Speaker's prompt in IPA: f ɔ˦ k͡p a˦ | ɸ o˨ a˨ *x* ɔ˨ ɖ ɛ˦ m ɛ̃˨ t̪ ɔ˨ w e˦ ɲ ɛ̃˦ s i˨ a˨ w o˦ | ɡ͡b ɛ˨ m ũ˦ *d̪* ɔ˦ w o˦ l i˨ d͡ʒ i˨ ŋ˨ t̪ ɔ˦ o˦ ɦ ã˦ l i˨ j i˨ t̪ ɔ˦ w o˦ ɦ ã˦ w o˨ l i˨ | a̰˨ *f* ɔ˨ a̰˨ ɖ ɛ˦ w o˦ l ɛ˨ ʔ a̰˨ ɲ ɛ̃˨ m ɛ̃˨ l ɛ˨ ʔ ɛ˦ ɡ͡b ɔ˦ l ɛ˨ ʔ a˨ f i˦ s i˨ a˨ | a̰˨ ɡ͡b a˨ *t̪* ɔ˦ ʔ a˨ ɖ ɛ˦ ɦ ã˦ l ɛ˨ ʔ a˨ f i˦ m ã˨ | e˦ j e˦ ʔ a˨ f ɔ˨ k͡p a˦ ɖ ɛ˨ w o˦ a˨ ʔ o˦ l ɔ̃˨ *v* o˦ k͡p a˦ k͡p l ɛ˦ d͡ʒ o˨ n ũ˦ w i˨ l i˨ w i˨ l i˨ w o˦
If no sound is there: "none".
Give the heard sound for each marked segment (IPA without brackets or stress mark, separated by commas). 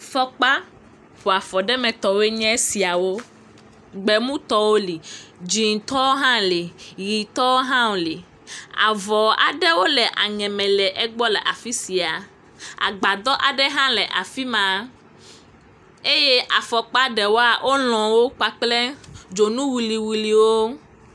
f, t̪, v, d̪, w